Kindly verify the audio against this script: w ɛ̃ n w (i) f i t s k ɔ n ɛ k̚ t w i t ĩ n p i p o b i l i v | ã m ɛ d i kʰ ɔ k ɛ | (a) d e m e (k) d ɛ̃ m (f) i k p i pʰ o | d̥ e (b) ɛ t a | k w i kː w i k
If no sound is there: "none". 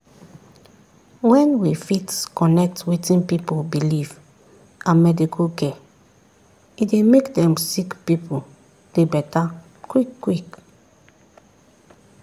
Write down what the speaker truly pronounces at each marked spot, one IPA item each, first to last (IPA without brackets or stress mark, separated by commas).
i, i, k, s, b